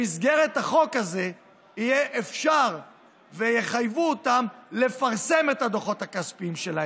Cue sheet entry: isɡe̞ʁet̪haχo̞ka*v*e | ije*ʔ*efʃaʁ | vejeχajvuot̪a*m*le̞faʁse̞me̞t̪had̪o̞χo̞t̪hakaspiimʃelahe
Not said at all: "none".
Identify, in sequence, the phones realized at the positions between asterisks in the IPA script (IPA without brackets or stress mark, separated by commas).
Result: z, ʔ, m